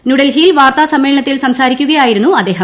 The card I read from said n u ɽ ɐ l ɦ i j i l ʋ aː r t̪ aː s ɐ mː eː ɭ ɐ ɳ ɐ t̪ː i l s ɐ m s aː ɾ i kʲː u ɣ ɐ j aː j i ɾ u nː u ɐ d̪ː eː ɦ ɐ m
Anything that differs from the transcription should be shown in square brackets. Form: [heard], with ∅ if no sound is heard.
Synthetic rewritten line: n u ɽ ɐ l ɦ i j i l ʋ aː r t̪ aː s ɐ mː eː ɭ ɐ ɳ ɐ t̪ː i l s ɐ m s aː ɾ i kʲː u ɣ ɐ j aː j i ɾ u nː u ɐ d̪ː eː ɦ ɐ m